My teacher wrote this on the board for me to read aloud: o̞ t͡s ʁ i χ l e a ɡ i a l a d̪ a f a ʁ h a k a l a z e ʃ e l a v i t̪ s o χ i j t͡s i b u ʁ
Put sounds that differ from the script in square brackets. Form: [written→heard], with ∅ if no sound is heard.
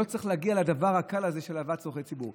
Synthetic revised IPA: o̞ t͡s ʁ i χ l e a ɡ i a l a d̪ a [f→v] a ʁ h a k a l a z e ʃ e l a v [i→a] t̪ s o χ [i→e] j t͡s i b u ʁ